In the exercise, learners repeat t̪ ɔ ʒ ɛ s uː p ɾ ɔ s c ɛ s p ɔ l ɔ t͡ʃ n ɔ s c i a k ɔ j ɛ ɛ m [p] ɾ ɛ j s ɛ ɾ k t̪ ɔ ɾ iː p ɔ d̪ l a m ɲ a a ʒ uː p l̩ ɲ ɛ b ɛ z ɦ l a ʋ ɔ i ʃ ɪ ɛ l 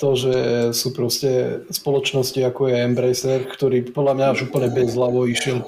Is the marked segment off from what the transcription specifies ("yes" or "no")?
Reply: yes